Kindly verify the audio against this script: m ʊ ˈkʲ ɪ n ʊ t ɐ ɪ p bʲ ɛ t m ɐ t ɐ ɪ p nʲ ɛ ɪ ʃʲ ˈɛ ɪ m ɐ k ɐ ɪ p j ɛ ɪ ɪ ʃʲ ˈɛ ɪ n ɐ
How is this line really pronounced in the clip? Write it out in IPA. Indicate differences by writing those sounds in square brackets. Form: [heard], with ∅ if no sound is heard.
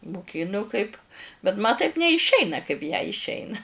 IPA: m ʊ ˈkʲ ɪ n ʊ [k] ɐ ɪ p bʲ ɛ t m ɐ t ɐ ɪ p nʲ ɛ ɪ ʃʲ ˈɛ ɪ [n] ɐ k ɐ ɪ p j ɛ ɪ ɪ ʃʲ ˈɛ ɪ n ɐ